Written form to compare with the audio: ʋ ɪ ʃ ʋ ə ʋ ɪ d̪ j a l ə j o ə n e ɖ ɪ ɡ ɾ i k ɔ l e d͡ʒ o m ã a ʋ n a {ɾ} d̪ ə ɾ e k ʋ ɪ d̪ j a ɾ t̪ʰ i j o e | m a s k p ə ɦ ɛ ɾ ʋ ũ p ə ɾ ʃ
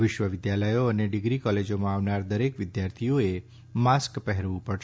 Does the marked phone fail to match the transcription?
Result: no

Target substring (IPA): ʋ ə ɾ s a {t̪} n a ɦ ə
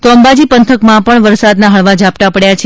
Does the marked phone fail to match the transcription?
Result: yes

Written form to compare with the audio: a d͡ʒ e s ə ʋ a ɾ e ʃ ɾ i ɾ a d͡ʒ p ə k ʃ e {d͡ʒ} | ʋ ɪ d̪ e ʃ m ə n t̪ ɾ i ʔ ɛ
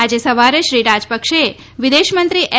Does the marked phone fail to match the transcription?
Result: yes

